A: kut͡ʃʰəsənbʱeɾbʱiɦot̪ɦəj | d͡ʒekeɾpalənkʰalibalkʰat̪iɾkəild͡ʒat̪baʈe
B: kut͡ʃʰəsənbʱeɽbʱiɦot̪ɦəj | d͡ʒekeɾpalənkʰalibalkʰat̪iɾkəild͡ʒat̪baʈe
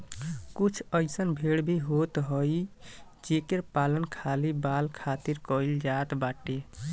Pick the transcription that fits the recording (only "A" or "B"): B